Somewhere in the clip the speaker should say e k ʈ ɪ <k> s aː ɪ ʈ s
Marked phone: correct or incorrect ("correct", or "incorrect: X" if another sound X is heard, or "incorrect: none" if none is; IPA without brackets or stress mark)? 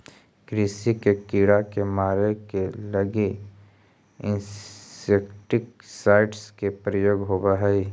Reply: correct